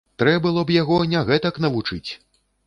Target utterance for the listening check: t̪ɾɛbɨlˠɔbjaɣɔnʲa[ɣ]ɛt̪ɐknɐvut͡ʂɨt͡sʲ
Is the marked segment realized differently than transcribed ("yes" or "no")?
no